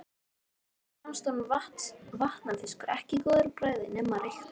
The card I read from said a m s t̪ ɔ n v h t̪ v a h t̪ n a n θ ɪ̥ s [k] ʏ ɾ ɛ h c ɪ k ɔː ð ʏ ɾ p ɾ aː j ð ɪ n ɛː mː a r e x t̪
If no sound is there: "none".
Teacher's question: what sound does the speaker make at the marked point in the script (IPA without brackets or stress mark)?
k